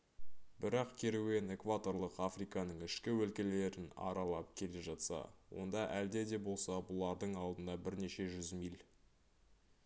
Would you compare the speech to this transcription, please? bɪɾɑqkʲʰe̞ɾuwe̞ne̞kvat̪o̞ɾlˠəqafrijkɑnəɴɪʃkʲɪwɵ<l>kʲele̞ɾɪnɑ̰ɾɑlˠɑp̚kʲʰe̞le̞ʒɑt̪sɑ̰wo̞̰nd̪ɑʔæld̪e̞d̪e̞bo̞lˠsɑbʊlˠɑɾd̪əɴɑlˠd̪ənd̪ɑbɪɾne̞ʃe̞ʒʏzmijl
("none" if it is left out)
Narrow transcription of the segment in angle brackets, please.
l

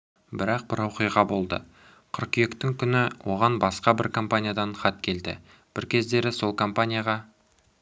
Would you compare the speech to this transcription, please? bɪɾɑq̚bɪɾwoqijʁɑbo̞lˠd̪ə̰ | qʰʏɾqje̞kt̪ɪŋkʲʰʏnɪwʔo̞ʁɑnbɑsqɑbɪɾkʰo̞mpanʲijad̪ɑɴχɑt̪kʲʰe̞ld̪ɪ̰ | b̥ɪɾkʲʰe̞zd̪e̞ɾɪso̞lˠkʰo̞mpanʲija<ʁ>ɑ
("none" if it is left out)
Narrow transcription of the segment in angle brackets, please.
ʁ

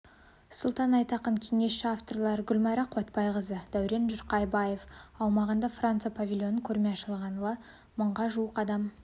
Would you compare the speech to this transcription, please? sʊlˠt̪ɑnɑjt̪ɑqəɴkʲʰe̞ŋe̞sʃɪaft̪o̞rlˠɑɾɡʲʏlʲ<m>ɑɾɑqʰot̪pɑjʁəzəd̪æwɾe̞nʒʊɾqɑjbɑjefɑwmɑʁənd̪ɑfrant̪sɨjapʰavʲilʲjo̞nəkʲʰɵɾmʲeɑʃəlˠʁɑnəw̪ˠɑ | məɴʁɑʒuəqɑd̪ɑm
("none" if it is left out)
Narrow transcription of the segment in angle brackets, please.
m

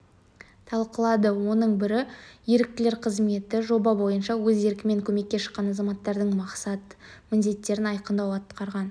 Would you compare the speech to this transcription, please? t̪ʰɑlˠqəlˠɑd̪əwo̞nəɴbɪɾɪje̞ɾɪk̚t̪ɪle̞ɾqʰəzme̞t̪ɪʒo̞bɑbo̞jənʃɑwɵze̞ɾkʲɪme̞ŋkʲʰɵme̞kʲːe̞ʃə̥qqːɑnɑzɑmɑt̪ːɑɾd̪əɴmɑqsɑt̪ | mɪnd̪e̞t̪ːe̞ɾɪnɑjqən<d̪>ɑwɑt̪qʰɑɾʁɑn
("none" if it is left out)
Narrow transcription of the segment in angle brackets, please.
d̪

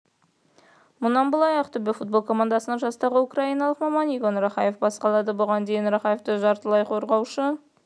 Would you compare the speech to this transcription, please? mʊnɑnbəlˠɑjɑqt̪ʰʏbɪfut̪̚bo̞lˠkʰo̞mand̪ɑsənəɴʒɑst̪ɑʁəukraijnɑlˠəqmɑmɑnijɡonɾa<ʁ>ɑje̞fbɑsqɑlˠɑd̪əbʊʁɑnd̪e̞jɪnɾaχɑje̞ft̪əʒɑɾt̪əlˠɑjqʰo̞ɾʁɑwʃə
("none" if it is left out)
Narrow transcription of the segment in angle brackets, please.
χ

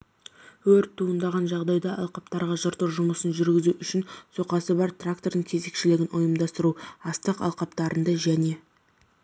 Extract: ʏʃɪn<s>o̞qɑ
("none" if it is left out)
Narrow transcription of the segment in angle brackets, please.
s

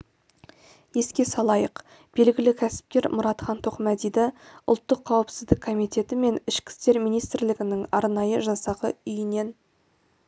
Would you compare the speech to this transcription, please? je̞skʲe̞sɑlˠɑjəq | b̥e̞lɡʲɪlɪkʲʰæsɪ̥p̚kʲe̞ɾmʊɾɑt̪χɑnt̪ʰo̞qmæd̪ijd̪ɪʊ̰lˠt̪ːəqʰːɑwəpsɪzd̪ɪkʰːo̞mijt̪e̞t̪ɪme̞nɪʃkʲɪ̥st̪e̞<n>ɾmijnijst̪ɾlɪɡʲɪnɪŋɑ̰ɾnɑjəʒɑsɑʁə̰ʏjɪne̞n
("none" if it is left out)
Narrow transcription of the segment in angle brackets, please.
none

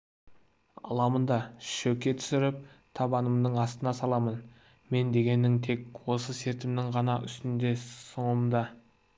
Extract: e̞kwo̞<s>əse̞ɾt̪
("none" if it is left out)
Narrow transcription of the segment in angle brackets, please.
s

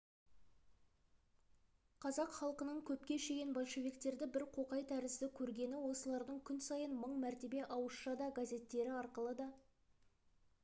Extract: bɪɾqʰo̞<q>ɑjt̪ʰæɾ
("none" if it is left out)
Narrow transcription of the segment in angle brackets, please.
q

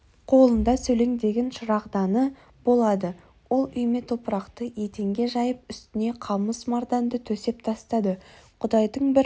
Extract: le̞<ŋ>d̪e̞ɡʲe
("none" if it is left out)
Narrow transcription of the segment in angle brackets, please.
ŋ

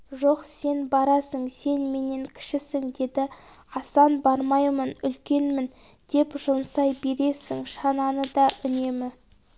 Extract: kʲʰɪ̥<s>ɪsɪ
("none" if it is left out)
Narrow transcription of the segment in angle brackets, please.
ʃ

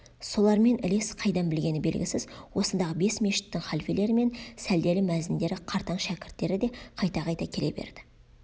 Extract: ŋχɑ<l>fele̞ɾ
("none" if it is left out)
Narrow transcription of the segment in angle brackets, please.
l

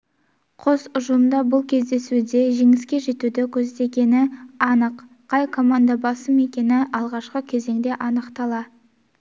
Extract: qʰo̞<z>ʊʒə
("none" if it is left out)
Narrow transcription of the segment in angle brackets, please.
s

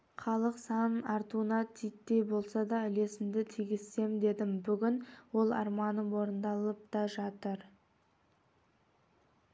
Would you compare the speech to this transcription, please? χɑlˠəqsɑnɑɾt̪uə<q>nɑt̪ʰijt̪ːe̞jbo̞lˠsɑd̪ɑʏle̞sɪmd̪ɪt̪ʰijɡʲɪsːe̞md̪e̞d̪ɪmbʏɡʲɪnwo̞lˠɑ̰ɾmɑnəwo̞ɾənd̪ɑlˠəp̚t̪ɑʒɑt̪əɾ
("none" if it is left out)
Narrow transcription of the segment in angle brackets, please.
none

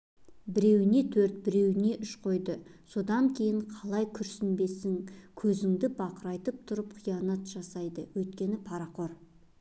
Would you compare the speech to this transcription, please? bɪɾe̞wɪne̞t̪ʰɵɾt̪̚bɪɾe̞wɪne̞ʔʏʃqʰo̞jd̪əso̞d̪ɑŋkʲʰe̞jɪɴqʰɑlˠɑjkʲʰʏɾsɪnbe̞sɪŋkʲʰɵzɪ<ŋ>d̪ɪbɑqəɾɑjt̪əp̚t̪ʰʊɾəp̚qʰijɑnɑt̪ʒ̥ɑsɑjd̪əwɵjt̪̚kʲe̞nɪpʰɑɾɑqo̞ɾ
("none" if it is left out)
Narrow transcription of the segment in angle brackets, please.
ŋ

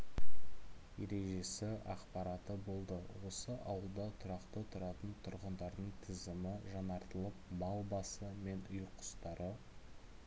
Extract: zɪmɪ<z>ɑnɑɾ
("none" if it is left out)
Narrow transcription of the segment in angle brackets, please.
ʒ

